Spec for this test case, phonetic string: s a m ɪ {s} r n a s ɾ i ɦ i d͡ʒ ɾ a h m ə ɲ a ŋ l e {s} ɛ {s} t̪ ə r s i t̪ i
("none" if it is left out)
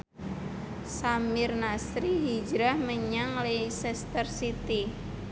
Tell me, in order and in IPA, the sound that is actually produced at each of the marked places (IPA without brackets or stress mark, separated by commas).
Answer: none, s, s